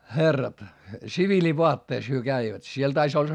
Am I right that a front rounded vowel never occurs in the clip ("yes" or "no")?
no